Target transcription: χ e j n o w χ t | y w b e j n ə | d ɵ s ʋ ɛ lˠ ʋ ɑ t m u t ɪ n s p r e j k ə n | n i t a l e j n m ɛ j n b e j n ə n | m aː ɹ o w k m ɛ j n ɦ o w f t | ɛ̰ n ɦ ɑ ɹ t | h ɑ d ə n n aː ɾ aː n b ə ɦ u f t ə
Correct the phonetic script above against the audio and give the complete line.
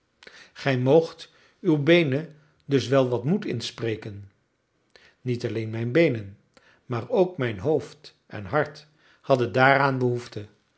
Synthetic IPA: χ ɛ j m o w χ t | y w b e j n ə | d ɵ s ʋ ɛ lˠ ʋ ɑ t m u t ɪ n s p r e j k ə n | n i t ɑ l e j n m ɛ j n b e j n ə n | m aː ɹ o w k m ɛ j n ɦ o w f t | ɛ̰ n ɦ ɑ ɹ t | h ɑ d ə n d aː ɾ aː n b ə ɦ u f t ə